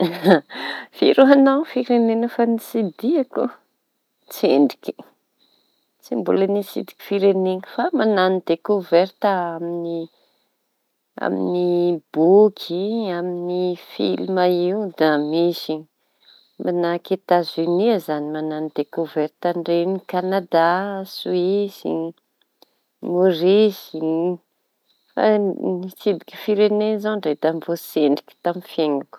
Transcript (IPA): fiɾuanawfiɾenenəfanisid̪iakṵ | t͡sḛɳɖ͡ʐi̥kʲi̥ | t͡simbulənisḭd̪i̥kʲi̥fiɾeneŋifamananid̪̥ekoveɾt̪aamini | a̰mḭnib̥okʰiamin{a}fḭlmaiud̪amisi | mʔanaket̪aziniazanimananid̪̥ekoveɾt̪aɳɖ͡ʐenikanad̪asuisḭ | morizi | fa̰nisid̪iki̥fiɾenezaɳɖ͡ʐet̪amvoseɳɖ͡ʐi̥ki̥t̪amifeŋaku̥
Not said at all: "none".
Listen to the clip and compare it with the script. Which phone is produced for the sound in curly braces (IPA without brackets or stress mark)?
i